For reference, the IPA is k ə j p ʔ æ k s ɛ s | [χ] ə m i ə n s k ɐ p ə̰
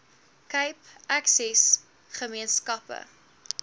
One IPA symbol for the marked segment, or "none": χ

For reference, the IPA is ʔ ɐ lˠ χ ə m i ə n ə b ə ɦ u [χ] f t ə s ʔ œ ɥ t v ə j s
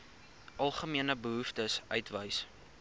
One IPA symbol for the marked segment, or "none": none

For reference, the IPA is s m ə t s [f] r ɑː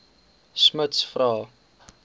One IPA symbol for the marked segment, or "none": f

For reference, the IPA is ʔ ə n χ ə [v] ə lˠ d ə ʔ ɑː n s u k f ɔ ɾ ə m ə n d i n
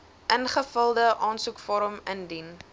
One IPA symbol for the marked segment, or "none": f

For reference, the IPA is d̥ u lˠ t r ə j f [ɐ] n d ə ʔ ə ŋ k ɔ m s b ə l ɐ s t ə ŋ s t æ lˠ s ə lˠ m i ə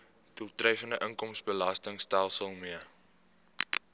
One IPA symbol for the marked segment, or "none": ə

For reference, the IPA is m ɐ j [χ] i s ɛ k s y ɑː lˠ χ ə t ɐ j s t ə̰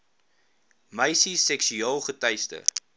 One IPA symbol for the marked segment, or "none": s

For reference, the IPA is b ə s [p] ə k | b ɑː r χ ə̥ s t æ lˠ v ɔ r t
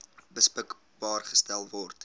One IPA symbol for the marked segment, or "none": p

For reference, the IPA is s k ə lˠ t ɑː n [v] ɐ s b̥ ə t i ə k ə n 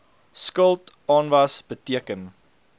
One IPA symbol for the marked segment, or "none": v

